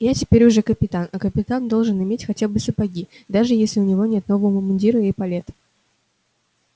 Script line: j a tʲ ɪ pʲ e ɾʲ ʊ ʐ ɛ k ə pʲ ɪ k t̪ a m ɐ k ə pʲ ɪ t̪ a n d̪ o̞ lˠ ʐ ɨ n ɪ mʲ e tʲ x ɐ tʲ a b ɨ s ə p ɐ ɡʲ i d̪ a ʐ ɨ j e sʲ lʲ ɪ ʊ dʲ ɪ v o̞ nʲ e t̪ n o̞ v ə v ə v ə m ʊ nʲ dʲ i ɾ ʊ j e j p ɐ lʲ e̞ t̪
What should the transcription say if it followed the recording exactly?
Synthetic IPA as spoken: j a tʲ ɪ pʲ e ɾʲ ʊ ʐ ɛ k ə pʲ ɪ t̪ a n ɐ k ə pʲ ɪ t̪ a n d̪ o̞ lˠ ʐ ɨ n ɪ mʲ e tʲ x ɐ tʲ a b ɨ s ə p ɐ ɡʲ i d̪ a ʐ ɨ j e sʲ lʲ ɪ ʊ nʲ ɪ v o̞ nʲ e t̪ n o̞ v ə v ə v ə m ʊ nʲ dʲ i ɾ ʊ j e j p ɐ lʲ e̞ t̪